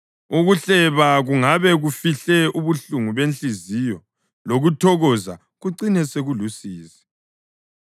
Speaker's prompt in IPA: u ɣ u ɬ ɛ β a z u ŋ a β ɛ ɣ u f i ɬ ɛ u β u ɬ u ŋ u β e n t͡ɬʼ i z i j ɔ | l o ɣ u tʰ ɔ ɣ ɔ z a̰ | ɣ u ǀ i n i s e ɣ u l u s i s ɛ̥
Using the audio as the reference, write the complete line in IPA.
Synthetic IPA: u ɣ u ɬ ɛ β a ɣ u ŋ a β ɛ ɣ u f i ɬ ɛ u β u ɬ u ŋ u β e n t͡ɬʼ i z i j ɔ | l o ɣ u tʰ ɔ ɣ ɔ z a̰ | ɣ u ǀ i n ɛ s e ɣ u l u s iː s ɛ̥